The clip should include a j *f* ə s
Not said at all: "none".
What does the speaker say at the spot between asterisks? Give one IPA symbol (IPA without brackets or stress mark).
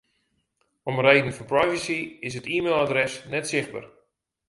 v